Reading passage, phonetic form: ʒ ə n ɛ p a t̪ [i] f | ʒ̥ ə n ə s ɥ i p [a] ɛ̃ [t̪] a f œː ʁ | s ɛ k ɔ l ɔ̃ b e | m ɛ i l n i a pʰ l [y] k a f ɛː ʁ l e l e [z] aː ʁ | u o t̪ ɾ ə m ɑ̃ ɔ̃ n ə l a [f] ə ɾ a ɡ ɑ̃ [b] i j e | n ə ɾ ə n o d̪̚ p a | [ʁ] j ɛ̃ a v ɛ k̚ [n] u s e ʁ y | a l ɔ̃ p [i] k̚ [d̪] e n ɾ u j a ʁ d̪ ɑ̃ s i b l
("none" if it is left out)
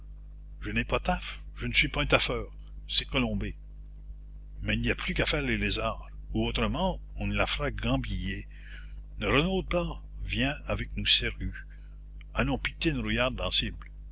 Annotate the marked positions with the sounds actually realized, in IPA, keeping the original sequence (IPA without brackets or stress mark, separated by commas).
a, a, t̪, y, z, f, b, v, n, i, t̪